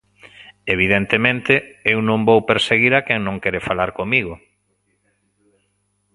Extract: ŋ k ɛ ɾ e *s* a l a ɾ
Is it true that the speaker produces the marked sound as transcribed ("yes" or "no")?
no